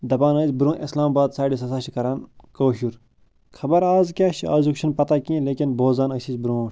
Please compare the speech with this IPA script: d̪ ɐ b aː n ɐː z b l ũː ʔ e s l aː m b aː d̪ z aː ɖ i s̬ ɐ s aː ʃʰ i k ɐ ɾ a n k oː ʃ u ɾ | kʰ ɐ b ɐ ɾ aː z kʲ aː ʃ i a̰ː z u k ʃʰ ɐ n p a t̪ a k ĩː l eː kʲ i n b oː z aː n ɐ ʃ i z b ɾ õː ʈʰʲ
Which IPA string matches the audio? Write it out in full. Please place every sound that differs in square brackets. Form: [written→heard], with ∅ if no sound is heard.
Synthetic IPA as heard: d̪ ɐ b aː n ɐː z b [l→ɾ] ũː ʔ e s l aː m b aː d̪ [z→s] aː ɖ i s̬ ɐ s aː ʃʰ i k ɐ ɾ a n k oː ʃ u ɾ | kʰ ɐ b ɐ ɾ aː z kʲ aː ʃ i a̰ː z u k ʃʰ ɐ n p [a→ɐ] t̪ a k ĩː l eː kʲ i n b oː z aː n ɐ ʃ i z b ɾ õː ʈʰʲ